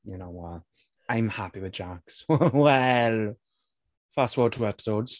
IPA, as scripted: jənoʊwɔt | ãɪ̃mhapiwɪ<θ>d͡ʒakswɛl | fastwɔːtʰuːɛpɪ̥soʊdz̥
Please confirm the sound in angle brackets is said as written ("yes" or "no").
no